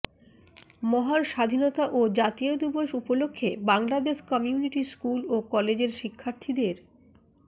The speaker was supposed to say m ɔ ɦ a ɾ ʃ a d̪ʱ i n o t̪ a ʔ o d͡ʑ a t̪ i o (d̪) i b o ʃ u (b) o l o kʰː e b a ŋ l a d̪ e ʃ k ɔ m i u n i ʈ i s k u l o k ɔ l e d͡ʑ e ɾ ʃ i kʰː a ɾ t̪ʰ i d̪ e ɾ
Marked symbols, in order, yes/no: yes, no

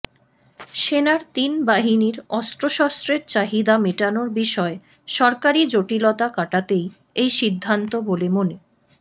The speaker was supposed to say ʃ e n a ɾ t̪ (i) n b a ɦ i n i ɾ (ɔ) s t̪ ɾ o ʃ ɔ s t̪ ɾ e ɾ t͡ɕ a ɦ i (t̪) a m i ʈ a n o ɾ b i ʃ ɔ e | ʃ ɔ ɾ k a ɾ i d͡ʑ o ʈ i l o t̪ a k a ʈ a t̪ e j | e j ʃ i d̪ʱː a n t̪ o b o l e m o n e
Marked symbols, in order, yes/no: yes, yes, no

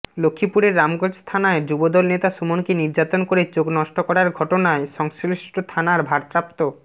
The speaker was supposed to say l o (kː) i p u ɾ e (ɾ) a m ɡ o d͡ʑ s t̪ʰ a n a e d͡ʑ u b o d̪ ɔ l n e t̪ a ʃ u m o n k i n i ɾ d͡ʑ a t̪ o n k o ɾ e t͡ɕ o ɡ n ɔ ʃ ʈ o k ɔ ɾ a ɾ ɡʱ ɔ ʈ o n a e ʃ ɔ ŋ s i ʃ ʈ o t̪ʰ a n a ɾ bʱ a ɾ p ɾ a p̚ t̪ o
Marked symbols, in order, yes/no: no, no

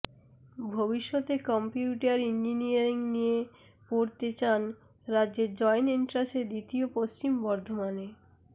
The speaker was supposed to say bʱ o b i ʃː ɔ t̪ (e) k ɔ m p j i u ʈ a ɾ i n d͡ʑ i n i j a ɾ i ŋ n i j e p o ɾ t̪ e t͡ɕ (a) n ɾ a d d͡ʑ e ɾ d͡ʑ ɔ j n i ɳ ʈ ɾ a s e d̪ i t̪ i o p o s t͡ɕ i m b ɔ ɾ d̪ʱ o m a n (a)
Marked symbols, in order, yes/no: yes, yes, no

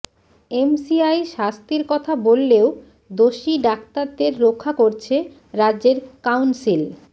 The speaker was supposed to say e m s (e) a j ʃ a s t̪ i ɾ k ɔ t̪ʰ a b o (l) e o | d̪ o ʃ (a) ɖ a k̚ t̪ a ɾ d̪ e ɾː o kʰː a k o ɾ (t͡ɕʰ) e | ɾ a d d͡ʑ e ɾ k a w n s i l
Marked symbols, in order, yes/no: no, no, no, yes

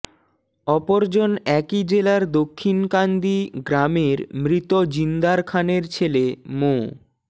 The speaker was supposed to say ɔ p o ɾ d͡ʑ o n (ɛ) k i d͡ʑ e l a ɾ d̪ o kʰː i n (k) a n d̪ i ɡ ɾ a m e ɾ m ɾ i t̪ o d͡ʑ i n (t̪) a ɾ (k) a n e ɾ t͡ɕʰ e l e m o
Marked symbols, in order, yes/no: yes, yes, no, no

